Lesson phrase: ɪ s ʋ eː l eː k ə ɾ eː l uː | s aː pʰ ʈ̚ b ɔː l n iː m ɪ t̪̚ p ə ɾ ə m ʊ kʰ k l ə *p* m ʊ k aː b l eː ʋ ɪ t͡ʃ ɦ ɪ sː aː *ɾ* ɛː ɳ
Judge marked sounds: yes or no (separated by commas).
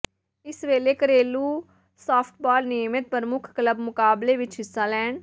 no, no